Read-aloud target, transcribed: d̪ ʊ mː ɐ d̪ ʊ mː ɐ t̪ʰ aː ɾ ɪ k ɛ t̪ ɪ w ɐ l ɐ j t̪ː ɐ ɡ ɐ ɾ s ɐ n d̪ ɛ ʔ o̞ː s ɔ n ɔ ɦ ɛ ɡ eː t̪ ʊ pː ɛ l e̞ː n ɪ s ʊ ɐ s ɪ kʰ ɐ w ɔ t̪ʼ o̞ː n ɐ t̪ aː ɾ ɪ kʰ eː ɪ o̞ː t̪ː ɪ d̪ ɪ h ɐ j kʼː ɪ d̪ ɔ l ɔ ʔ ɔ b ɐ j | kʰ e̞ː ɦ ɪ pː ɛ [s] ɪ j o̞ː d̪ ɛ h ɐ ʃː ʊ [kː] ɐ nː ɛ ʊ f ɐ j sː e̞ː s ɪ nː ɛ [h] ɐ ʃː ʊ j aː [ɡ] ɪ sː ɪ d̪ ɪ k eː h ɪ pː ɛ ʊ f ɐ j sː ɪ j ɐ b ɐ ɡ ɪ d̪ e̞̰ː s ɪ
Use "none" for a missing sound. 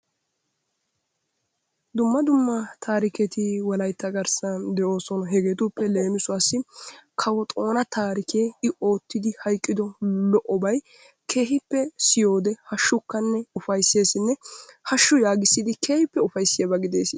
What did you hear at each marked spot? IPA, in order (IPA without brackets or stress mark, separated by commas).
s, kː, h, ɡ